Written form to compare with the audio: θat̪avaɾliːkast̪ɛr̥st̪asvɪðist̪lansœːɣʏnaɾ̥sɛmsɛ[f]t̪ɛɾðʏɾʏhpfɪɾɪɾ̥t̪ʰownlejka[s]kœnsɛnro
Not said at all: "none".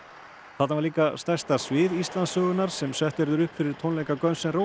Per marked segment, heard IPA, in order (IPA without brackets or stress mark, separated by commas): h, none